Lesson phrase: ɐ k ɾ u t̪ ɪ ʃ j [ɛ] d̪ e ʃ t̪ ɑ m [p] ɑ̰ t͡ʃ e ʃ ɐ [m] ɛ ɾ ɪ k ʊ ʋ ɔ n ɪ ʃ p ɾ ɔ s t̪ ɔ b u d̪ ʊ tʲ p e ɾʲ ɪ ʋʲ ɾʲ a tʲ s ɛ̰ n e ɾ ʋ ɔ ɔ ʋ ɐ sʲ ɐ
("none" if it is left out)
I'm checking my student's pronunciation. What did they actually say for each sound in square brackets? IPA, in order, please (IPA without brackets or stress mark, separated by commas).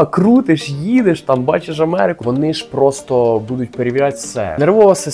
i, b, m